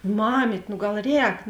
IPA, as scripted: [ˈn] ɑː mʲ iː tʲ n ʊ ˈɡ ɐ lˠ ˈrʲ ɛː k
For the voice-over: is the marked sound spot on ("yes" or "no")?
no